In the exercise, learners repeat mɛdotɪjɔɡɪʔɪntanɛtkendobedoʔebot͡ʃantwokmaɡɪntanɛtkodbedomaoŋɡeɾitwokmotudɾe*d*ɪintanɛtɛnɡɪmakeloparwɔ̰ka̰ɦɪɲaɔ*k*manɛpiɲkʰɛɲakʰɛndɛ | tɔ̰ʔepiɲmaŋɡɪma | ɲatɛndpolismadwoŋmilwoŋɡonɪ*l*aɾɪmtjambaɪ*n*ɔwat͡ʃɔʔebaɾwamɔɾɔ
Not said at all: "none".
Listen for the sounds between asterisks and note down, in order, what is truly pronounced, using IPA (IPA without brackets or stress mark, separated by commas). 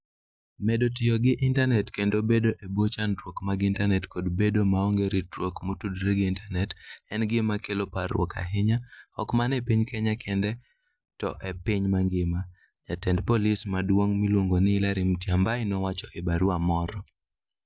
ɡ, k, l, n